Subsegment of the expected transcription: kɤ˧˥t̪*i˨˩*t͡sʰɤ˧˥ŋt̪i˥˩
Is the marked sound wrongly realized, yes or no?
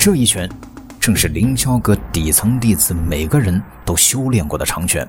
no